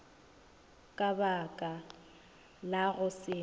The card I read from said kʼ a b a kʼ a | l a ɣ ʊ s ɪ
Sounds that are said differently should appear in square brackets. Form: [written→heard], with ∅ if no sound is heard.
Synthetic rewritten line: kʼ a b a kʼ a | l a ɣ ʊ s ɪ